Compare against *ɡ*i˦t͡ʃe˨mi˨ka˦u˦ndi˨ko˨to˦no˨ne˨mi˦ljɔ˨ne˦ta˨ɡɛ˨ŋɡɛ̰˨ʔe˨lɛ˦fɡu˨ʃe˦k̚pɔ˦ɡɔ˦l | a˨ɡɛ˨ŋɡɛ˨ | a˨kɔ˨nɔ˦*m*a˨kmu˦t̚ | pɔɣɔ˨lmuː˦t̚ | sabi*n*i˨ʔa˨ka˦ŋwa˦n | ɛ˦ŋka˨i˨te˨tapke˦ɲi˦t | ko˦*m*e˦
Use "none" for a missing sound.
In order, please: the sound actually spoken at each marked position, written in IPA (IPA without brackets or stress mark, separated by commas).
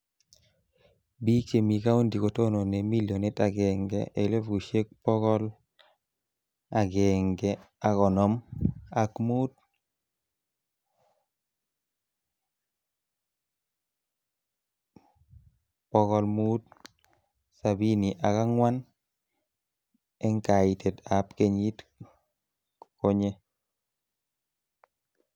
b, m, n, ɲ